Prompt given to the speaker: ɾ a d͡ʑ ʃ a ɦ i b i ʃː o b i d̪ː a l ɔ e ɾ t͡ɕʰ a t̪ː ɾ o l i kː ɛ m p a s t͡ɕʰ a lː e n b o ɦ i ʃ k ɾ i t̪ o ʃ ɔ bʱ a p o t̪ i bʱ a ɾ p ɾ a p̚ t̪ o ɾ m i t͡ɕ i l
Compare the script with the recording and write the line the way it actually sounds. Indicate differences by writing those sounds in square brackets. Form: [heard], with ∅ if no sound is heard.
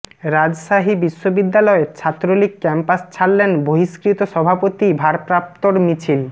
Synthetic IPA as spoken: ɾ a d͡ʑ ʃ a ɦ i b i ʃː o b i d̪ː a l ɔ e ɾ t͡ɕʰ a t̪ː ɾ o l i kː ɛ m p a s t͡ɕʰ a lː e n b o ɦ i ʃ k ɾ i t̪ o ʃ ɔ bʱ a p o t̪ i bʱ a ɾ p ɾ a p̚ t̪ o ɾ m i [t͡ɕʰ] i l